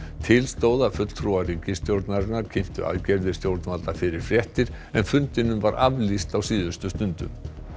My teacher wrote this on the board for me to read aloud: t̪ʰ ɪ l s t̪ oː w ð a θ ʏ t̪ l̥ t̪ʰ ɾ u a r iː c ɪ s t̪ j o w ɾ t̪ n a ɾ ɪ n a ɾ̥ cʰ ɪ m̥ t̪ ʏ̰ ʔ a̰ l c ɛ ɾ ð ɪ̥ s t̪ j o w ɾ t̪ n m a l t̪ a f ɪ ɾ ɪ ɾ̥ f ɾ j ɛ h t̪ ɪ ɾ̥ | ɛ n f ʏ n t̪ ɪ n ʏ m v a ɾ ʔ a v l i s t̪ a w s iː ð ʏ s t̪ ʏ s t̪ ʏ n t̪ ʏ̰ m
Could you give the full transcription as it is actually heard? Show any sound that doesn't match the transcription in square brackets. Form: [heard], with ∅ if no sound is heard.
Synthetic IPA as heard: t̪ʰ ɪ l s t̪ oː w ð a [f] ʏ t̪ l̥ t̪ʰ ɾ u a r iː c ɪ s t̪ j o w ɾ t̪ n a ɾ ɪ n a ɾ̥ cʰ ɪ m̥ t̪ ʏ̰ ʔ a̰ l c ɛ ɾ ð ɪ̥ s t̪ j o w ɾ t̪ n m a l t̪ a f ɪ ɾ ɪ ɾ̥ f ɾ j ɛ h t̪ ɪ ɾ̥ | ɛ n f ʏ n t̪ ɪ n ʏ m v a ɾ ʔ a v l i s t̪ a w s iː ð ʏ s t̪ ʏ s t̪ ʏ n t̪ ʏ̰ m